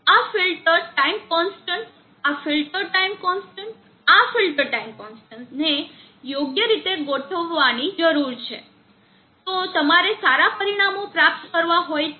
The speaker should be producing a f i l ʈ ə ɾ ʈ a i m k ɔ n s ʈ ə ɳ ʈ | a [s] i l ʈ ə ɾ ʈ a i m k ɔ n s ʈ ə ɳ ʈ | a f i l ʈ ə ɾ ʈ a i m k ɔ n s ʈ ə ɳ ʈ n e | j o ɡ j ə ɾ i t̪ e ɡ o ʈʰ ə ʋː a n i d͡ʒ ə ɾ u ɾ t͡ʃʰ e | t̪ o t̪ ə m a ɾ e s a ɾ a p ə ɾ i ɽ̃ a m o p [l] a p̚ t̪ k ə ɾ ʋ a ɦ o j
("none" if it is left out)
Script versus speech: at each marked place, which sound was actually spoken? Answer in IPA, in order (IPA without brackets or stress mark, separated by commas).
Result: f, ɾ